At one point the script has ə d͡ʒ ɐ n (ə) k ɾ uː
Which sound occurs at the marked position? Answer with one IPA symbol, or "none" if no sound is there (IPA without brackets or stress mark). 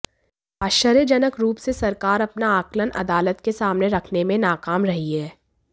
ə